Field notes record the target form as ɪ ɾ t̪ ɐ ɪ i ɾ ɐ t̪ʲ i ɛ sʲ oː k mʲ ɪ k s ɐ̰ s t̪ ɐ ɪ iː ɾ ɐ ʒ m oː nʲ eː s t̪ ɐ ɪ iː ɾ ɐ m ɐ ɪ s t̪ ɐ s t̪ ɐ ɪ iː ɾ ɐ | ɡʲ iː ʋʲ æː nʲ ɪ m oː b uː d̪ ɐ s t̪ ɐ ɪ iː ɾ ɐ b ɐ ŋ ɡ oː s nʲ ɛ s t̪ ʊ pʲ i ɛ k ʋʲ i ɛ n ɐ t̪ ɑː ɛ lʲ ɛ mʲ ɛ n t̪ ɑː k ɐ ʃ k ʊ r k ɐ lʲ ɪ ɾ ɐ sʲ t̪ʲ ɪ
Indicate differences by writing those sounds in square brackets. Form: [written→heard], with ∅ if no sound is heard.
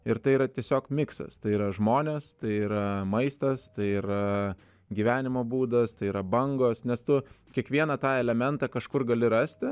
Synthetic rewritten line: ɪ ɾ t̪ ɐ ɪ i ɾ ɐ t̪ʲ i ɛ sʲ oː k mʲ ɪ k s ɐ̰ s t̪ ɐ ɪ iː ɾ ɐ ʒ m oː nʲ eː s t̪ ɐ ɪ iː ɾ ɐ m ɐ ɪ s t̪ ɐ s t̪ ɐ ɪ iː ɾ ɐ | ɡʲ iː ʋʲ æː nʲ ɪ m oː b uː d̪ ɐ s t̪ ɐ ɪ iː ɾ ɐ b ɐ ŋ ɡ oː s nʲ ɛ s t̪ ʊ [pʲ→kʲ] i ɛ k ʋʲ i ɛ n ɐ t̪ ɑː ɛ lʲ ɛ mʲ ɛ n t̪ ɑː k ɐ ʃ k ʊ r [k→ɡ] ɐ lʲ ɪ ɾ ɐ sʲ t̪ʲ ɪ